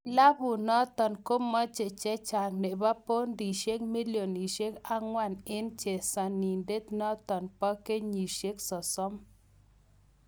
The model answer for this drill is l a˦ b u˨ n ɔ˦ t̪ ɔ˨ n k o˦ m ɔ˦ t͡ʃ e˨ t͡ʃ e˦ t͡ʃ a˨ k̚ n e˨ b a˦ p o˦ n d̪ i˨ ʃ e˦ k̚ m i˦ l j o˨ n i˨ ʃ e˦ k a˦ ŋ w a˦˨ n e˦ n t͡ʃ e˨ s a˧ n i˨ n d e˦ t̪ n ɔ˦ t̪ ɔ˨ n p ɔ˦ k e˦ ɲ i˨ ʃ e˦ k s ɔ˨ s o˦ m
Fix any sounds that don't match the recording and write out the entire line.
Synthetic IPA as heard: l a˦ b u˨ n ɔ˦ t̪ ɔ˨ n k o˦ m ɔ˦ t͡ʃ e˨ t͡ʃ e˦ t͡ʃ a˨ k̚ n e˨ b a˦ p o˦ n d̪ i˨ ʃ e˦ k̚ m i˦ l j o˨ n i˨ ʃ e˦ k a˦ ŋ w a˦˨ n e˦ n t͡ʃ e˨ s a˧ n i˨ n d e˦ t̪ n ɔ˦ t̪ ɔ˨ n p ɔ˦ k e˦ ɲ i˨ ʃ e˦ k s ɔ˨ s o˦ m